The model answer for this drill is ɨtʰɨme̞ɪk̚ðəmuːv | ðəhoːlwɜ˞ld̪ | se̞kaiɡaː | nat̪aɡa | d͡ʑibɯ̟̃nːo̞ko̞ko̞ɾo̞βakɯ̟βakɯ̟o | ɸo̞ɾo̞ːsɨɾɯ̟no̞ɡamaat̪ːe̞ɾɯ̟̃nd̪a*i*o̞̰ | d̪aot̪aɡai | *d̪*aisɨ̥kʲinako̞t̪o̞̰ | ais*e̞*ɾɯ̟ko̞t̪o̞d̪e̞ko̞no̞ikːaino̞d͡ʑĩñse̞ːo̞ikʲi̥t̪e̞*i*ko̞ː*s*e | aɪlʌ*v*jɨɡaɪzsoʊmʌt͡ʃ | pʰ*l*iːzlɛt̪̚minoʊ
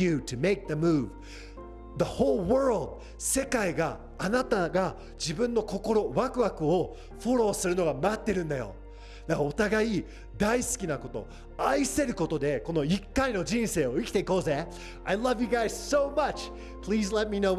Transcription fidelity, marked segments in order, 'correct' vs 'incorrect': incorrect, correct, correct, correct, incorrect, correct, correct

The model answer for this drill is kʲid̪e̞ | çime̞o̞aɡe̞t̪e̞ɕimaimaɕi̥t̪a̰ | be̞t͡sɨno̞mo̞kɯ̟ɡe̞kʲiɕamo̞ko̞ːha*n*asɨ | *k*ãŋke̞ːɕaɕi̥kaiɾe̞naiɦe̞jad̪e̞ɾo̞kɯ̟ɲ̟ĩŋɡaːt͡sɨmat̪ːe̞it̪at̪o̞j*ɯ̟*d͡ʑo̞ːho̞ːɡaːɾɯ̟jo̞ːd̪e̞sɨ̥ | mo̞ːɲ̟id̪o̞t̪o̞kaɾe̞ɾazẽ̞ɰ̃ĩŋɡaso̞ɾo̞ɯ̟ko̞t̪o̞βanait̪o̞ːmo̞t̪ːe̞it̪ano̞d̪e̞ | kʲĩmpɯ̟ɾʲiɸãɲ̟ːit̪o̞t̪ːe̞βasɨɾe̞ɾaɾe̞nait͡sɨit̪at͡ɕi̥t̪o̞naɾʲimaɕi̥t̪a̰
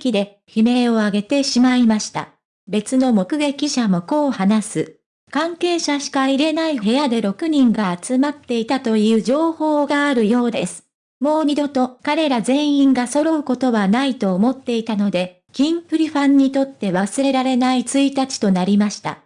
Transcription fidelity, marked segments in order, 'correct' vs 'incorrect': correct, correct, incorrect

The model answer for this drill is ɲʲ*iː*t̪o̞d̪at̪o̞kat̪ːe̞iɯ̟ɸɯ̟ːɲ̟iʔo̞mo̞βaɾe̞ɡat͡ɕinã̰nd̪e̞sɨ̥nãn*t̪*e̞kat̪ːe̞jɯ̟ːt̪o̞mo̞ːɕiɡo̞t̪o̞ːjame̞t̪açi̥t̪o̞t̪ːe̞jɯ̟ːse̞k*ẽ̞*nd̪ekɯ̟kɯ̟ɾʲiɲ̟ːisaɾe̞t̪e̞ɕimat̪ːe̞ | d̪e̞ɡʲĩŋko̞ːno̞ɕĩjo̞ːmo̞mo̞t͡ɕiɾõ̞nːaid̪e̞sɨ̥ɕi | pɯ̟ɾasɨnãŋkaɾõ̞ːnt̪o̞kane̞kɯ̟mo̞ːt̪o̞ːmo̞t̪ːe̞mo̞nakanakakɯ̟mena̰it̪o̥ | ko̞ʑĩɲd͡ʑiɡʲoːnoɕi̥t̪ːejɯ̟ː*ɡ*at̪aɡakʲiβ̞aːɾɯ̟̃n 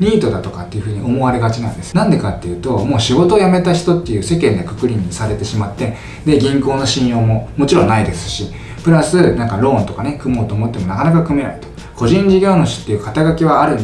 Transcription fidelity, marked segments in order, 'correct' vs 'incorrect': correct, incorrect, correct, incorrect

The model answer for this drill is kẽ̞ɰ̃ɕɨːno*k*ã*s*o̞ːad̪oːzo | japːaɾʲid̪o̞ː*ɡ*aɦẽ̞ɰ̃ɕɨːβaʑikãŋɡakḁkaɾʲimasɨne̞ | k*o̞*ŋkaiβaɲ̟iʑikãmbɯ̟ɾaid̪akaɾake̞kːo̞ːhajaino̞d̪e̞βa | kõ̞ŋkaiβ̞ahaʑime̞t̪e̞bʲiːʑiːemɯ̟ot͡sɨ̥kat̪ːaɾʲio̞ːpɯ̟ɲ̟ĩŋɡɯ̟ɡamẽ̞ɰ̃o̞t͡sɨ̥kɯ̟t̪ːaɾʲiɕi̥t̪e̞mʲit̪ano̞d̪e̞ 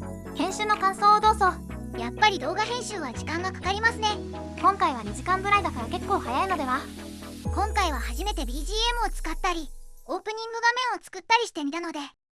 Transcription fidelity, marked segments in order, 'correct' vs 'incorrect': correct, correct, correct, incorrect

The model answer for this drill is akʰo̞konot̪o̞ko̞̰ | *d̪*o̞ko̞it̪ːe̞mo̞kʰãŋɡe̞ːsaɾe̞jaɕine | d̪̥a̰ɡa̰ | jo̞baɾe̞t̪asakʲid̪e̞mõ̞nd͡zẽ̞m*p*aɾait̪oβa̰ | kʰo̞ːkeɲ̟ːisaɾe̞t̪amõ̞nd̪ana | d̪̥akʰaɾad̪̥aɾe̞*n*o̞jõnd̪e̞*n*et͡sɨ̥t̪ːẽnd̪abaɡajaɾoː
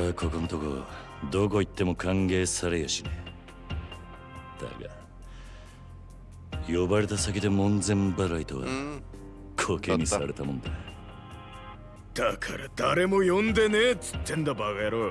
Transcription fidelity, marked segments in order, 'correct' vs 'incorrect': correct, incorrect, incorrect, correct

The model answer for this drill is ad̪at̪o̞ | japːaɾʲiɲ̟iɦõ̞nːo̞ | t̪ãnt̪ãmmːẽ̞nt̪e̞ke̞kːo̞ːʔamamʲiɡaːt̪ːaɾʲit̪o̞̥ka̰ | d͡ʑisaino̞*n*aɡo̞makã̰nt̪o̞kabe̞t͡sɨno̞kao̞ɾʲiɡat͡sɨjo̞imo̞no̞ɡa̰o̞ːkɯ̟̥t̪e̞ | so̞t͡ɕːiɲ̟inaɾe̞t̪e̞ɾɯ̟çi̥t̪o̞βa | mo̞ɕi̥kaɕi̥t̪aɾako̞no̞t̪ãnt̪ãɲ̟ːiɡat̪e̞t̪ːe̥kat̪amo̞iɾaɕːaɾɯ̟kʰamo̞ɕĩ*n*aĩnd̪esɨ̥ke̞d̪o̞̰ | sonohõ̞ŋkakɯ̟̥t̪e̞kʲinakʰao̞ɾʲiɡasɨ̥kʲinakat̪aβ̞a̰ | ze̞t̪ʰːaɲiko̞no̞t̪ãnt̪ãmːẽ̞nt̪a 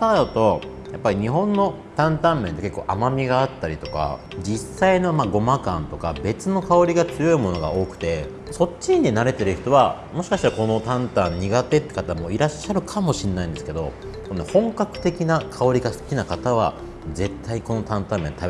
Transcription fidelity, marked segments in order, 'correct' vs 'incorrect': incorrect, incorrect

